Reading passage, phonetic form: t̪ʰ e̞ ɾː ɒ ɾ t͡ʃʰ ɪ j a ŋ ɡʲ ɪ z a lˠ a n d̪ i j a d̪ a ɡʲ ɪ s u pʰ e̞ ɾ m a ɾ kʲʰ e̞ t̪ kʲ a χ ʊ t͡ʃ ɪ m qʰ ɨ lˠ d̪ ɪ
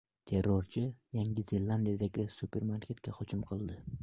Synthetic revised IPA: t̪ʰ e̞ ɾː o ɾ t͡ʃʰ ɪ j a ŋ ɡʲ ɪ z e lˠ a n d̪ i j a d̪ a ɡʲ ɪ s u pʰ e̞ ɾ m a ɾ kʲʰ e̞ t̪ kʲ a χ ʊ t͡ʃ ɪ m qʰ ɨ lˠ d̪ ɪ